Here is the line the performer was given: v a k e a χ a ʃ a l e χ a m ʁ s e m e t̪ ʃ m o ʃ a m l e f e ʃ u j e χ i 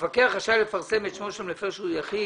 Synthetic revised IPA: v a k e a χ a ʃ a l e f a ʁ s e m e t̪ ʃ m o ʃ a m l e f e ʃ u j a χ i

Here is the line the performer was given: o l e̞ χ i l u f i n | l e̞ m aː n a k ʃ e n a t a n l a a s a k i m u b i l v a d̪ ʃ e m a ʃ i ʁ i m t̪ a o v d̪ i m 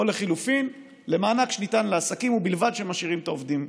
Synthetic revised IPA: o l e̞ χ i l u f i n | l e̞ m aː n a k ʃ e n i t a n l e a s a k i m u b i l v a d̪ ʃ e m a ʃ i ʁ i m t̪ a o v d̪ i m

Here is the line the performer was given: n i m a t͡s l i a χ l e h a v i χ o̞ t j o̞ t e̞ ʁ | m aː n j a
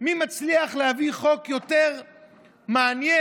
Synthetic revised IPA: m i m a t͡s l i a χ l e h a v i χ o̞ k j o̞ t e̞ ʁ | m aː n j e

